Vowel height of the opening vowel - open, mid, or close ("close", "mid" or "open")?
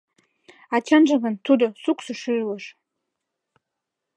open